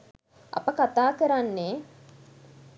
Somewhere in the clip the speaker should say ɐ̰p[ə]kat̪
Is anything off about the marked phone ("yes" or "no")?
no